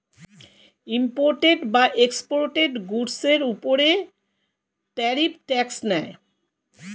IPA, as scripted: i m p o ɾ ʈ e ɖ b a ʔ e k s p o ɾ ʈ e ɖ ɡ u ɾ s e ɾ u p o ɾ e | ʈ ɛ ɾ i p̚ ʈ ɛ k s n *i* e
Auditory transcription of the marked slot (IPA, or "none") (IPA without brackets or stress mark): ɛ